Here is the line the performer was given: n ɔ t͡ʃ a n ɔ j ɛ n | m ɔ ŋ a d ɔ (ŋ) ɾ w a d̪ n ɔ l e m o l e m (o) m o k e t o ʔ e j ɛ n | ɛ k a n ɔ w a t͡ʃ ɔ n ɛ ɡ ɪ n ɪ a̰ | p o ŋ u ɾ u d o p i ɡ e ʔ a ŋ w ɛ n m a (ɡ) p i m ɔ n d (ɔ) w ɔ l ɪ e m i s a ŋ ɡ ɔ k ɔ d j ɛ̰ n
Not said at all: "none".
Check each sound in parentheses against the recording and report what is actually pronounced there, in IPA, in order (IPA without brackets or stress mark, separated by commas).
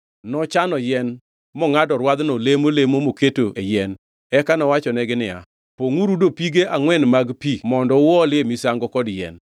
none, o, ɡ, ɔ